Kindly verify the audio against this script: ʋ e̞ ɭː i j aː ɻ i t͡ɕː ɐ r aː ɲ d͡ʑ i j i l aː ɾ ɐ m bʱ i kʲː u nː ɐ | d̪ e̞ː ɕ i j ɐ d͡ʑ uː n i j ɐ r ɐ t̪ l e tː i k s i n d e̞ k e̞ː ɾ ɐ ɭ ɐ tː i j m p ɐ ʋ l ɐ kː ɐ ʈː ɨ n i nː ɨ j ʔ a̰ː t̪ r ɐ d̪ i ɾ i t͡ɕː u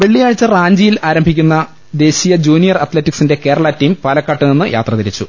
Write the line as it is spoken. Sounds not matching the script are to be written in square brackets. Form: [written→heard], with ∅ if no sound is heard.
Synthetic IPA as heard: ʋ e̞ ɭː i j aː ɻ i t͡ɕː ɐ r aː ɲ d͡ʑ i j i l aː ɾ ɐ m bʱ i kʲː u nː ɐ | d̪ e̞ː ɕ i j ɐ d͡ʑ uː n i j ɐ r ɐ t̪ l e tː i k s i n d e̞ k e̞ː ɾ ɐ ɭ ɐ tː i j m p ɐ [ʋ→∅] l ɐ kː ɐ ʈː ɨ n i nː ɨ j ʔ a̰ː t̪ r ɐ [d̪→t̪] i ɾ i t͡ɕː u